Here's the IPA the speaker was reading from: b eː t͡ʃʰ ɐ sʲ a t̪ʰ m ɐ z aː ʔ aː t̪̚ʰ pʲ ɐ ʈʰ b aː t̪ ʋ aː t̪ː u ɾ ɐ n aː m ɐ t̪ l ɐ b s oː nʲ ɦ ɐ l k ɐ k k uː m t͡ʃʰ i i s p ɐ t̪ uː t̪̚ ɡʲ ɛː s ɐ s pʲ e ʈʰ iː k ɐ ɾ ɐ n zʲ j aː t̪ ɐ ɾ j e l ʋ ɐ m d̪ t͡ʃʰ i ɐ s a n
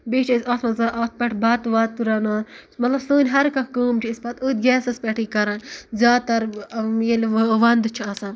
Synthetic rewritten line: b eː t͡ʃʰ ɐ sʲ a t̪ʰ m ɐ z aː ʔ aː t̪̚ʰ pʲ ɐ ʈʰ b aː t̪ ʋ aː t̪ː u ɾ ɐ n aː m ɐ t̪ l ɐ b s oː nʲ ɦ ɐ ɾ k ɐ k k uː m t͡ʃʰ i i s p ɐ t̪ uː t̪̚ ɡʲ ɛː s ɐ s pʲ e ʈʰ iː k ɐ ɾ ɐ n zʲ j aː t̪ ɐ ɾ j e l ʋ ɐ n d̪ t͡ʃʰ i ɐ s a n